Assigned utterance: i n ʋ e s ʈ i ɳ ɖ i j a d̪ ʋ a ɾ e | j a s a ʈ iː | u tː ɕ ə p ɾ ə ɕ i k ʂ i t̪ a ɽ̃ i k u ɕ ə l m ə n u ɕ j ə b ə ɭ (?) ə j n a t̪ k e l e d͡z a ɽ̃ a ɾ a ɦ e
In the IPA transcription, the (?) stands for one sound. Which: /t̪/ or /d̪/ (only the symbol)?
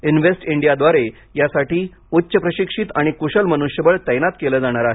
t̪